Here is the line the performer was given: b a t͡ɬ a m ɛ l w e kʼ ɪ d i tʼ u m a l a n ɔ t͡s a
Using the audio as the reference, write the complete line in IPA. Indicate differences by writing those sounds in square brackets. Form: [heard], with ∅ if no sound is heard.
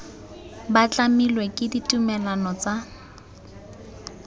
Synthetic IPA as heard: b a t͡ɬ a m [i] l w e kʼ ɪ d i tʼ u m [ɛ] l a n ɔ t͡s a